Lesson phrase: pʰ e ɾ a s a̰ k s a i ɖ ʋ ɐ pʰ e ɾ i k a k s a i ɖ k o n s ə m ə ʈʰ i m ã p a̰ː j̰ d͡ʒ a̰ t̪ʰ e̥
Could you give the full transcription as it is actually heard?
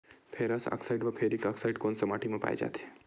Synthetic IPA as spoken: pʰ e ɾ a s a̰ k s a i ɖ ʋ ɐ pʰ e ɾ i k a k s a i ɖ k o n s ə m a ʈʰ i m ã p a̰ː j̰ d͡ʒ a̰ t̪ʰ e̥